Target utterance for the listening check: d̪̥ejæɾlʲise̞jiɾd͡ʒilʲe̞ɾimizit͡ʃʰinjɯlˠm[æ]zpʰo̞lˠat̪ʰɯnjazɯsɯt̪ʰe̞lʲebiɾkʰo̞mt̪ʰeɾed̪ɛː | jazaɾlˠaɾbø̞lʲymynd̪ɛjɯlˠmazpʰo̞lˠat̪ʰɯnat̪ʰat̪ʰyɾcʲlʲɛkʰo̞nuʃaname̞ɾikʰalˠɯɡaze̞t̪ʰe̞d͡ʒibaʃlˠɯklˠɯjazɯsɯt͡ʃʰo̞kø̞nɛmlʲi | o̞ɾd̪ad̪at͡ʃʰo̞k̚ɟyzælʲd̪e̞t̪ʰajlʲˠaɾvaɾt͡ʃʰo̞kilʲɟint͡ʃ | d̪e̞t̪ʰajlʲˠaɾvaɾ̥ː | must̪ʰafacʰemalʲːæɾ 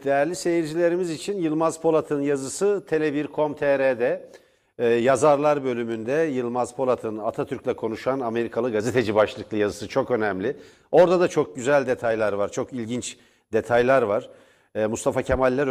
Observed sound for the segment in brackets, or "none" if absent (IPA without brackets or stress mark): a